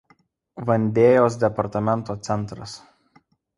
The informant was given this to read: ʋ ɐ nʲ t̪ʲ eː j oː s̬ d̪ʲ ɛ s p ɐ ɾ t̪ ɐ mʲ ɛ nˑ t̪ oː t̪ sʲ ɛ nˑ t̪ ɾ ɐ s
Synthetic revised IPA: ʋ ɐ nʲ d̪ʲ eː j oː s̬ d̪ʲ ɛ p ɐ ɾ t̪ ɐ mʲ ɛ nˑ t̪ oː t̪ sʲ ɛ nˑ t̪ ɾ ɐ s